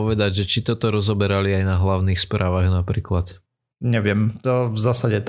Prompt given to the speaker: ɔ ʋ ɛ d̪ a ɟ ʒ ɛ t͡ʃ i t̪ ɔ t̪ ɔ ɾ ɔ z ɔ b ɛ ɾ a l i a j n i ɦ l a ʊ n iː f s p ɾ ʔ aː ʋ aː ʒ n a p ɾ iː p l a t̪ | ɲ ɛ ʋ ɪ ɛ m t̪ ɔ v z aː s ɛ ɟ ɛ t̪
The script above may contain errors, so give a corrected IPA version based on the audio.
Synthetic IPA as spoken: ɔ ʋ ɛ d̪ a ɟ ʒ ɛ t͡ʃ i t̪ ɔ t̪ ɔ ɾ ɔ z ɔ b ɛ ɾ a l i a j n a ɦ l a ʊ n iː x s p ɾ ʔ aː ʋ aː ɣ n a p ɾ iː k l a t̪ | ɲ ɛ ʋ ɪ ɛ m t̪ ɔ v z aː s a ɟ ɛ t̪